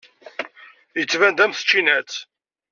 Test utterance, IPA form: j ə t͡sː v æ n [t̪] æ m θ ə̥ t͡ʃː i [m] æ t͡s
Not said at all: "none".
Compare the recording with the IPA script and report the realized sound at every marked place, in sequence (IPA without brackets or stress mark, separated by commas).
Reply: d̪, n